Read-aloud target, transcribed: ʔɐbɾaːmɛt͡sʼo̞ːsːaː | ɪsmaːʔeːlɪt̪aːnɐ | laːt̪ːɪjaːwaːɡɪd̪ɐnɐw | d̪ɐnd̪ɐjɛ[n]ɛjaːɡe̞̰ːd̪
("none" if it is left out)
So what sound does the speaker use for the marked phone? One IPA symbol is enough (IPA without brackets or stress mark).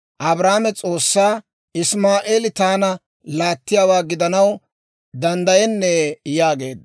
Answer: nː